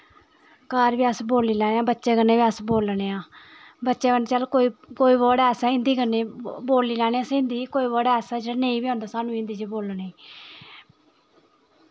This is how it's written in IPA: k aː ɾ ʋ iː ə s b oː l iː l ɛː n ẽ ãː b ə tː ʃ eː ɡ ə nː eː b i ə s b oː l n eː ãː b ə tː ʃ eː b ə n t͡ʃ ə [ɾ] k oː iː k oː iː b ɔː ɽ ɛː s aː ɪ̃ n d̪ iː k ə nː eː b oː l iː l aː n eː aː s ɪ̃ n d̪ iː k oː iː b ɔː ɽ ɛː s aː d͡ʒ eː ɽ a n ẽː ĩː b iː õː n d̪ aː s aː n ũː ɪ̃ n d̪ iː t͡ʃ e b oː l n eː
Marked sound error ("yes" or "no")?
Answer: yes